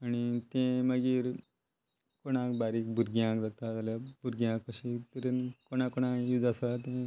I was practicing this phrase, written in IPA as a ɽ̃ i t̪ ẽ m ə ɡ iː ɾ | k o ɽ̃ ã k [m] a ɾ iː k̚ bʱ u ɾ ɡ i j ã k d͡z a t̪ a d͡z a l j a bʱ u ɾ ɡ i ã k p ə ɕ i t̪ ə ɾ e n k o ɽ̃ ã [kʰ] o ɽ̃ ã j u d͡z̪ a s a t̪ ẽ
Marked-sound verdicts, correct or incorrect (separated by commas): incorrect, incorrect